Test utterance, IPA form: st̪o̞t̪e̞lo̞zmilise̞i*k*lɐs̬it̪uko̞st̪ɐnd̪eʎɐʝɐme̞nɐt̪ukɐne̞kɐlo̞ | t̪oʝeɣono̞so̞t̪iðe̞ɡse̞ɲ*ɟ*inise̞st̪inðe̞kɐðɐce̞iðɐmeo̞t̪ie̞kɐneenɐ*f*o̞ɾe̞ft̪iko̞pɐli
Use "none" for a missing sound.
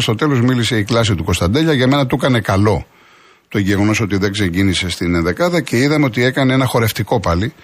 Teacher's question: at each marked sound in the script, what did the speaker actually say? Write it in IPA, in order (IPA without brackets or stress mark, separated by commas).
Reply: k, ɟ, x